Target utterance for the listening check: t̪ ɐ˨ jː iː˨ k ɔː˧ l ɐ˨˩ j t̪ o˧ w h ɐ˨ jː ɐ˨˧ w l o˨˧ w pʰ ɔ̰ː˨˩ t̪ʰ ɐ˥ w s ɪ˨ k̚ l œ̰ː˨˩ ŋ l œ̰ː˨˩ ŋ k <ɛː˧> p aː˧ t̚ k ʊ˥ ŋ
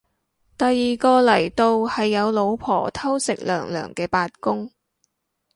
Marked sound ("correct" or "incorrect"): correct